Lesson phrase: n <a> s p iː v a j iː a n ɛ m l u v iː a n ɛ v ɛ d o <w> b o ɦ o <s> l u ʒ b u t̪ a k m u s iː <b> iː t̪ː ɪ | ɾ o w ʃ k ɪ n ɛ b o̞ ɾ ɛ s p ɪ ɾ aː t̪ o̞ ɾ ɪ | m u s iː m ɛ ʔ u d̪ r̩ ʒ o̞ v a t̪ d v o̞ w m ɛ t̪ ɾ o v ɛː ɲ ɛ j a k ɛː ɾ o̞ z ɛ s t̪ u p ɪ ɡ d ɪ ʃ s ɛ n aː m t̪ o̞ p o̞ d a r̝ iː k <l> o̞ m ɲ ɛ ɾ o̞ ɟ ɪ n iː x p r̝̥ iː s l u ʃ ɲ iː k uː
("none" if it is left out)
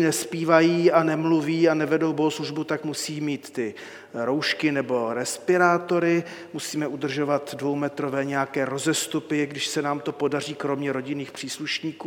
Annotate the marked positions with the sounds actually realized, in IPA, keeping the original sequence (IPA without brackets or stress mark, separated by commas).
ɛ, w, s, m, ɾ